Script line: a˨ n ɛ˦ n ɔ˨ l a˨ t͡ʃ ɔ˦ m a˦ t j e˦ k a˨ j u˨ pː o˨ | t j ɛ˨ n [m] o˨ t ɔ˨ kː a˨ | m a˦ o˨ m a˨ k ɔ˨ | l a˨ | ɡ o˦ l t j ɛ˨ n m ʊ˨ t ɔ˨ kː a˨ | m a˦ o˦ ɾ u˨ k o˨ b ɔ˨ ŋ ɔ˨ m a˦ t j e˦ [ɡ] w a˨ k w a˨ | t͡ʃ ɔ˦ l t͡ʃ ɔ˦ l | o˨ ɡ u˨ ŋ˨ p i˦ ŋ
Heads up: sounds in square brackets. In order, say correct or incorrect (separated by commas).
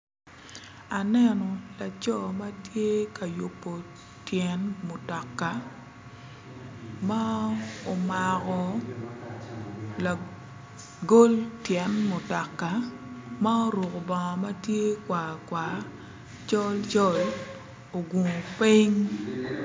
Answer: correct, incorrect